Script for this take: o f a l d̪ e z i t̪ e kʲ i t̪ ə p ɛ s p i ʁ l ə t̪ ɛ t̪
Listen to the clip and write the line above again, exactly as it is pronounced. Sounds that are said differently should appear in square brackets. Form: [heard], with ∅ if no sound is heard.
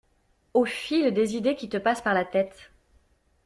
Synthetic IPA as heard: o f [i] l d̪ e z i [d̪] e kʲ i t̪ ə p [a] s p [a] ʁ l [a] t̪ ɛ t̪